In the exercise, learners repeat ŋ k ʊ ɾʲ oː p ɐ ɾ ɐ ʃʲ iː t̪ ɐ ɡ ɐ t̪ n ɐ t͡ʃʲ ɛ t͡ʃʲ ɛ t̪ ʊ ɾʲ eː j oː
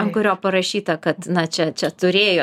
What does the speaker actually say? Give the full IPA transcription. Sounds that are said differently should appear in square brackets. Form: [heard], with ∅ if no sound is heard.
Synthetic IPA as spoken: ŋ k ʊ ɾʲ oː p ɐ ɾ ɐ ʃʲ iː t̪ ɐ [k] ɐ t̪ n ɐ t͡ʃʲ ɛ t͡ʃʲ ɛ t̪ ʊ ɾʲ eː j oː